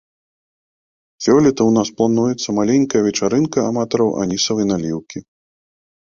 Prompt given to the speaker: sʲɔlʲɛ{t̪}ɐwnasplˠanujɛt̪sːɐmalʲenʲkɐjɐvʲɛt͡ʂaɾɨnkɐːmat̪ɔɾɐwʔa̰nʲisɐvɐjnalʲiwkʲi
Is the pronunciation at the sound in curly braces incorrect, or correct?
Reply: correct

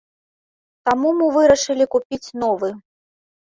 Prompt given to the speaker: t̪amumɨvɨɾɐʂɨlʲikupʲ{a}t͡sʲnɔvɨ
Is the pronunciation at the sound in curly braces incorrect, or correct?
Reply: incorrect: i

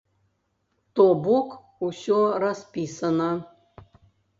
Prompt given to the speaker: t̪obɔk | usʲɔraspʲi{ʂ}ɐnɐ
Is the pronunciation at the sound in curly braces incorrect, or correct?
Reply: incorrect: s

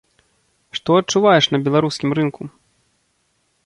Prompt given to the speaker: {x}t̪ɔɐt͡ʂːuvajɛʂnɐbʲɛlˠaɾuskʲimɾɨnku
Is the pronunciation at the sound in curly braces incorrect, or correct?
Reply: incorrect: ʂ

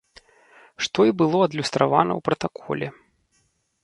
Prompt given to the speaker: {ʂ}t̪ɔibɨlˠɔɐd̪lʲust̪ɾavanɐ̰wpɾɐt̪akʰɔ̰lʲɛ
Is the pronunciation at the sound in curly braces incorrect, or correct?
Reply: correct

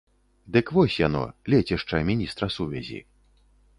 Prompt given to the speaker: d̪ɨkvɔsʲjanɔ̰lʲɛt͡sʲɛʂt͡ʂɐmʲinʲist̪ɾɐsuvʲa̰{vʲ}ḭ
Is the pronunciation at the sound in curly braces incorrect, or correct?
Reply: incorrect: zʲ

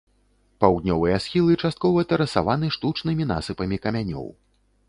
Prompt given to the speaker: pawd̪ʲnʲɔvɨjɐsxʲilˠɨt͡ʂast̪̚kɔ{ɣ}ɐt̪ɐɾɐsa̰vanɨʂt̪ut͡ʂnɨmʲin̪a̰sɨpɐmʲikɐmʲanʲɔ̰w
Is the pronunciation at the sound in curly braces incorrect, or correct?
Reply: incorrect: v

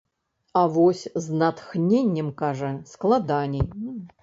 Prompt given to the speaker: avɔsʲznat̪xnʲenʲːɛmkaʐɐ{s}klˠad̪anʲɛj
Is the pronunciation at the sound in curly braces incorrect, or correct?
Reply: correct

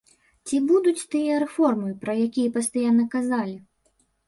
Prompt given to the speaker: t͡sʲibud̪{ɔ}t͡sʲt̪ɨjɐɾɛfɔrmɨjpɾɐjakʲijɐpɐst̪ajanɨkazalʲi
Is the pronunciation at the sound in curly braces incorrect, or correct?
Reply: incorrect: u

